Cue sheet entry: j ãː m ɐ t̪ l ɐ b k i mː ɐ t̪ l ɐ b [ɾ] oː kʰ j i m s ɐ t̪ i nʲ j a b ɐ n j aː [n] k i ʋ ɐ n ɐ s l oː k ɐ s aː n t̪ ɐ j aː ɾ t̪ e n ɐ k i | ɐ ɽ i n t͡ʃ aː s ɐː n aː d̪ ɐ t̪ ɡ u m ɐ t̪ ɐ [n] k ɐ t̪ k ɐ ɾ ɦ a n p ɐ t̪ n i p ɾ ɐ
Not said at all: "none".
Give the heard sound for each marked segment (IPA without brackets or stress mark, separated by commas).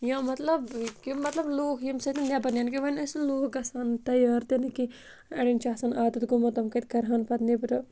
l, n, m